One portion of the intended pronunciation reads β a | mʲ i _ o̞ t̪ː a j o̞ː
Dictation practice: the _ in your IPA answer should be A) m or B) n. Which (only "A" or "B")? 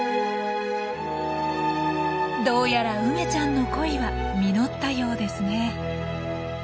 B